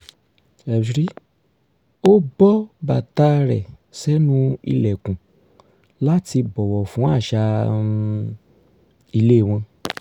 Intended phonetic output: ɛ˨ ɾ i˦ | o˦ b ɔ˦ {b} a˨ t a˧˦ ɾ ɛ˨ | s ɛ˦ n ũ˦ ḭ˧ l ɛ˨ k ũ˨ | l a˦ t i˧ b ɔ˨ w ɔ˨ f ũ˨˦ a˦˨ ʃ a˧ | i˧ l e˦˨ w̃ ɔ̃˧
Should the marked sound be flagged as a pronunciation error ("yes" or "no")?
no